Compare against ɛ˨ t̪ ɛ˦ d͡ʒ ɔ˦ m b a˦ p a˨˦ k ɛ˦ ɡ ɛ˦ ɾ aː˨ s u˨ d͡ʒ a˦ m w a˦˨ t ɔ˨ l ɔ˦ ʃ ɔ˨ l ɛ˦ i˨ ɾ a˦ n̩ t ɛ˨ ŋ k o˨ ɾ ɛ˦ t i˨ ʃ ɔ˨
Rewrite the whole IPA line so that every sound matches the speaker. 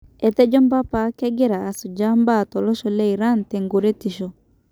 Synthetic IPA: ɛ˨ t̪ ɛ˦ d͡ʒ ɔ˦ m b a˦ p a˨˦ k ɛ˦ ɡ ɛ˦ ɾ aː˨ s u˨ d͡ʒ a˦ m b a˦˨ t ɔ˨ l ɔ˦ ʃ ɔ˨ l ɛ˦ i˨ ɾ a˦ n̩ t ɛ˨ ŋ ɡ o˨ ɾ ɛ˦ t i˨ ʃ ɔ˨